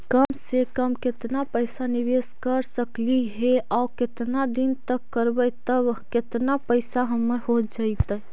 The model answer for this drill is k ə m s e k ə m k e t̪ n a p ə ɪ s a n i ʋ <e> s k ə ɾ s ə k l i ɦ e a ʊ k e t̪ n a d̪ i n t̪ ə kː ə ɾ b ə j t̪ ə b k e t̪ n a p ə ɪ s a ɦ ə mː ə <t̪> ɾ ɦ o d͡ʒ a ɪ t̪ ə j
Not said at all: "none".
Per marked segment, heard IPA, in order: e, none

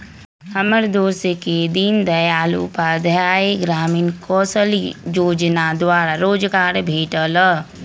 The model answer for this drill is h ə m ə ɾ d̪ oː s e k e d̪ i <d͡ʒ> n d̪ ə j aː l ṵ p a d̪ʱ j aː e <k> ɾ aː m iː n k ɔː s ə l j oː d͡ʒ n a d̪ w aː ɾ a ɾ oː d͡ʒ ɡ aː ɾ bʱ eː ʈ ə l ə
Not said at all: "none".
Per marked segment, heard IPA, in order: none, ɡ

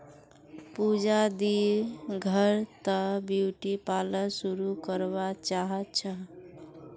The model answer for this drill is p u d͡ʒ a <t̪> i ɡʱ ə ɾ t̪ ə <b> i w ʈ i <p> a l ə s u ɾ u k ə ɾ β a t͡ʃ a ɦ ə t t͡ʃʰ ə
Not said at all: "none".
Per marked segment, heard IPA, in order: d̪, b, p

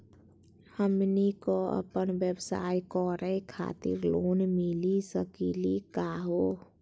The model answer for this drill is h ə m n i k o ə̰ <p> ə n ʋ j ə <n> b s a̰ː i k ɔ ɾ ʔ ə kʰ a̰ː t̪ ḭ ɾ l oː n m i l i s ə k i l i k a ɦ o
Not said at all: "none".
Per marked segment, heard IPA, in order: p, none

